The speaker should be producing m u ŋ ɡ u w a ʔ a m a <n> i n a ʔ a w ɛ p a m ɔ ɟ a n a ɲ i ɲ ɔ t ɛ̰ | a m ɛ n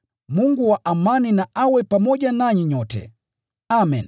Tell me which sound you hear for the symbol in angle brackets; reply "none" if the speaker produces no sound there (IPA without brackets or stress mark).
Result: n